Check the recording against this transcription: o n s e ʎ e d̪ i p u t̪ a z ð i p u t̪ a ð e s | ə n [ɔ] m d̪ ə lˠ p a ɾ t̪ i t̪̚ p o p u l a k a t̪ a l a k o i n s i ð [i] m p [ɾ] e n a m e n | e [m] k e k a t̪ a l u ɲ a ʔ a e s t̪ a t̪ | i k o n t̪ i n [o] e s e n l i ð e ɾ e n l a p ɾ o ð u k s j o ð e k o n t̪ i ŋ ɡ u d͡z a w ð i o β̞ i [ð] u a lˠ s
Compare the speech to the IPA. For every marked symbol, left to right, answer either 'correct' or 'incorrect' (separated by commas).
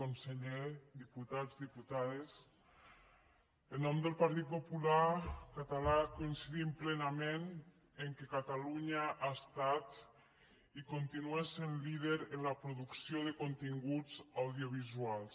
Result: correct, correct, incorrect, incorrect, incorrect, incorrect